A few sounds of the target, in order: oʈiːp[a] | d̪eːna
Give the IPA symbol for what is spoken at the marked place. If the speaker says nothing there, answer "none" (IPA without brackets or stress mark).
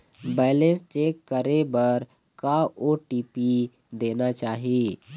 i